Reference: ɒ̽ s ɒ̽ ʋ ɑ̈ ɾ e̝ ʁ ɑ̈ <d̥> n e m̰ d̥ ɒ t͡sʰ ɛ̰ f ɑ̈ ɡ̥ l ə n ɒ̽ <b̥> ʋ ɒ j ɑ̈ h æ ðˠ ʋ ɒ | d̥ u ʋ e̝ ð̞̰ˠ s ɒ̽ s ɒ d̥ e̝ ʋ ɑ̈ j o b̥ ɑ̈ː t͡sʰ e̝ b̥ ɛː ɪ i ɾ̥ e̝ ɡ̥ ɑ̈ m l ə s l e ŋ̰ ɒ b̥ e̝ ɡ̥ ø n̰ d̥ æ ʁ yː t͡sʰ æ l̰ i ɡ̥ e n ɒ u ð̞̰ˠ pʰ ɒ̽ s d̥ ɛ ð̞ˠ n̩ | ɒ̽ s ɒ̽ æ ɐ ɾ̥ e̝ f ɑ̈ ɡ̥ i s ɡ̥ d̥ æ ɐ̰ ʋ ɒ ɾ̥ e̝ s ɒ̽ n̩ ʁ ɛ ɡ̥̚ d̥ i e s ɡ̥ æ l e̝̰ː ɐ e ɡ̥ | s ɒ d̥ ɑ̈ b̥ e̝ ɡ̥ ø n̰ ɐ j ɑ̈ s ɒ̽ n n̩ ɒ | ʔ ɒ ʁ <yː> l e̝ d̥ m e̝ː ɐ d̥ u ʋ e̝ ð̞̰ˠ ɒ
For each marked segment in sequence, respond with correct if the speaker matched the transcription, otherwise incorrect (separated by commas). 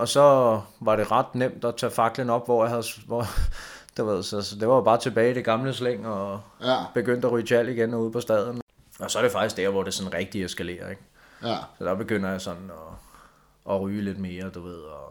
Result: correct, correct, correct